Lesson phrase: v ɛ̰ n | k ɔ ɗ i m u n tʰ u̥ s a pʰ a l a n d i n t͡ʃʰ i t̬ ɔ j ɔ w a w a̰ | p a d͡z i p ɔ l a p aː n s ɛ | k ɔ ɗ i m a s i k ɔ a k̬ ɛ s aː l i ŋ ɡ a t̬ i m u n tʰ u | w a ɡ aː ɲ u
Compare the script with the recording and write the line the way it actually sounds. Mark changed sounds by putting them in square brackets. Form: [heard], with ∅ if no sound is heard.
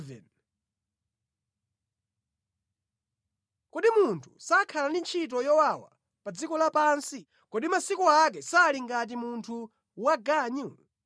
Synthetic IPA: v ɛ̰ n | k ɔ ɗ i m u n tʰ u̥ s a [kʰ] a l a n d i n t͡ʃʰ i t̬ ɔ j ɔ w a w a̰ | p a d͡z i [k] ɔ l a p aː n s [i] | k ɔ ɗ i m a s i k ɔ a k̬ ɛ s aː l i ŋ ɡ a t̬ i m u n tʰ u | w a ɡ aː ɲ u